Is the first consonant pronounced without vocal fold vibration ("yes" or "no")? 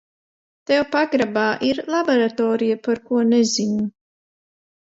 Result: yes